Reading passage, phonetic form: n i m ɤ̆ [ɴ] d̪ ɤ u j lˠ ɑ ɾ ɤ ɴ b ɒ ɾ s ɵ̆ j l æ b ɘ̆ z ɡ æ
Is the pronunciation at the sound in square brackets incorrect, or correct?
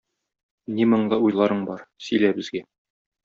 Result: correct